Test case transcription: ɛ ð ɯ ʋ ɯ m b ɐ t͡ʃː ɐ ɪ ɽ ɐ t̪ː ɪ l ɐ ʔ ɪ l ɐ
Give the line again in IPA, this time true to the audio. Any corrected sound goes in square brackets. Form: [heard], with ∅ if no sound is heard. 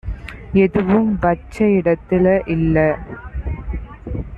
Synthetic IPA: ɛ ð ɯ ʋ ɯ m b ɐ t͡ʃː ɐ ɪ ɽ ɐ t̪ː ɪ l ɐ ʔ ɪ [lː] ɐ